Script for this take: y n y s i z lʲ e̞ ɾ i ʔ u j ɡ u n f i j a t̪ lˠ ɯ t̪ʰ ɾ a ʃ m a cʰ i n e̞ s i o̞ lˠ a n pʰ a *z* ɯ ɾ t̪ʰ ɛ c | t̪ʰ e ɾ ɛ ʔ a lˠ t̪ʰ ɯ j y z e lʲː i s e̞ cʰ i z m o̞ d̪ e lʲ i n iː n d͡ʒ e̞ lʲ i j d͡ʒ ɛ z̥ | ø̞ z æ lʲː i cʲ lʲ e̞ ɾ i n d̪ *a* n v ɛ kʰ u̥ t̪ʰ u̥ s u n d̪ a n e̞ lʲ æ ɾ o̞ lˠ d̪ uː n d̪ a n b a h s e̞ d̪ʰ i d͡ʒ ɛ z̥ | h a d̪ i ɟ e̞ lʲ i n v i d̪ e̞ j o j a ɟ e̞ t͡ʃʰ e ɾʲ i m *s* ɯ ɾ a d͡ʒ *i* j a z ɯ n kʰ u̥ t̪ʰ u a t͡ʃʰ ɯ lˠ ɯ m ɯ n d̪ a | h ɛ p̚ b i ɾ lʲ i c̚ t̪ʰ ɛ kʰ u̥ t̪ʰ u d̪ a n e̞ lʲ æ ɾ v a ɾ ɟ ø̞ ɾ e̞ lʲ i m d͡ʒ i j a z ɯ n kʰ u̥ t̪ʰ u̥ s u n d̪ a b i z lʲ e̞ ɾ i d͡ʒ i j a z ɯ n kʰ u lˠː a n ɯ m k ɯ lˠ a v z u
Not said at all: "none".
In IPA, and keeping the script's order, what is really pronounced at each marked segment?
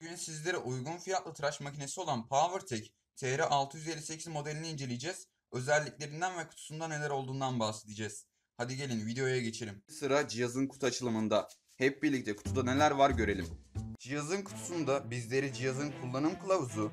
v, æ, s, i

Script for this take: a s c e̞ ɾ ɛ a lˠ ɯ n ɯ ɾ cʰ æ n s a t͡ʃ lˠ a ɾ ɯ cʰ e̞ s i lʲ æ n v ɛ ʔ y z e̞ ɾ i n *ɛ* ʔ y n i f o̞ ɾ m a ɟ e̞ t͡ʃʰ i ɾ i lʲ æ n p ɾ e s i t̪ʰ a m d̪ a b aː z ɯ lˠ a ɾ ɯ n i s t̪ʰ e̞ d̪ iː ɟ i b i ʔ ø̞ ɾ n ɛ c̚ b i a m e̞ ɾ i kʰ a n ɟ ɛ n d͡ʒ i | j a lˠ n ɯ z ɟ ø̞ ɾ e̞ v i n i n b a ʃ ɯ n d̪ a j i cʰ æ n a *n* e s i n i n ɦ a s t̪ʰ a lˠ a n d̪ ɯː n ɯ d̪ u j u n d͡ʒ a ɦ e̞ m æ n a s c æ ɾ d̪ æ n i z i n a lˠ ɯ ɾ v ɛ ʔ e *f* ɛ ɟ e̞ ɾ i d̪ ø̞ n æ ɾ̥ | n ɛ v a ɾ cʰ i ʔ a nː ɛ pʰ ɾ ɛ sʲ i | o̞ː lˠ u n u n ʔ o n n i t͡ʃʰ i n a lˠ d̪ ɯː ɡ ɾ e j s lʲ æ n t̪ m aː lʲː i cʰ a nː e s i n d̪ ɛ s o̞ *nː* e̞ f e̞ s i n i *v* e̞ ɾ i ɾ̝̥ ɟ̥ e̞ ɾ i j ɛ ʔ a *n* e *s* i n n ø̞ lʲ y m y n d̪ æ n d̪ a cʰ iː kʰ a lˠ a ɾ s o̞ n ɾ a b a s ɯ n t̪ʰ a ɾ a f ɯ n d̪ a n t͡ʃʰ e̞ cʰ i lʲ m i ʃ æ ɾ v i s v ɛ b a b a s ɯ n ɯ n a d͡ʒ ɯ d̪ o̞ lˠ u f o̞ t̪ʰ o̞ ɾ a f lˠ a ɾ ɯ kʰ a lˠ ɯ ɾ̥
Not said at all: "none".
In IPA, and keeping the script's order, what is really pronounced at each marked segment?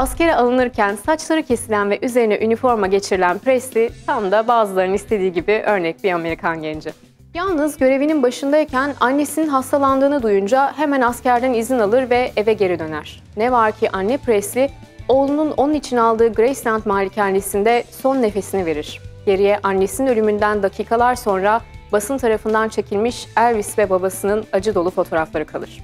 ɛ, nː, v, nː, v, nː, s

